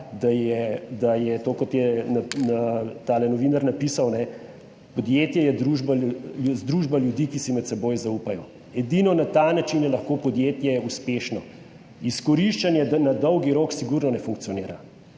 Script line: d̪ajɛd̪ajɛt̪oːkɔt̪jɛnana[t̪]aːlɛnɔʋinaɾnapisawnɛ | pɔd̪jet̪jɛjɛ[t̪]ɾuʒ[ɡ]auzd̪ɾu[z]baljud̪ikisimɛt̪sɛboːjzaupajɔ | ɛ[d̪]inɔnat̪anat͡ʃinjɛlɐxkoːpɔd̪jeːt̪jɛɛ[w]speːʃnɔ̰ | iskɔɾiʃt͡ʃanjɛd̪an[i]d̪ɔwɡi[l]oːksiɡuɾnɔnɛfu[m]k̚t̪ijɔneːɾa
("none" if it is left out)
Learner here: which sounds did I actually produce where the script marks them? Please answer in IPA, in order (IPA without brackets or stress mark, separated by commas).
t̪, d̪, b, ʒ, d̪, u, a, ɾ, ŋ